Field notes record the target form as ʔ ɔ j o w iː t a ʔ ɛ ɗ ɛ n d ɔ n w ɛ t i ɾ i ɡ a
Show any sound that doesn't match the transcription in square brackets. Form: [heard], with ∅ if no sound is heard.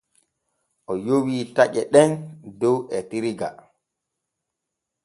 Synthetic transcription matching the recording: ʔ ɔ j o w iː t a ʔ ɛ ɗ ɛ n d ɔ [∅] w ɛ t i ɾ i ɡ a